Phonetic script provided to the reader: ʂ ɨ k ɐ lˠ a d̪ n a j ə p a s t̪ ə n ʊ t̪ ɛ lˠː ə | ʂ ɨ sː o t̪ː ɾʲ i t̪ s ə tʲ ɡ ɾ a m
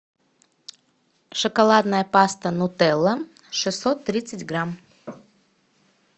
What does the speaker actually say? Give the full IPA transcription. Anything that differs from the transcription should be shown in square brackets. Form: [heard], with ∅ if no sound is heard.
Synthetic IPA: ʂ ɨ k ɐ lˠ a d̪ n [ə] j ə p a s t̪ ə n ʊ t̪ ɛ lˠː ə | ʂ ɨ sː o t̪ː ɾʲ i t̪ s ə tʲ ɡ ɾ a m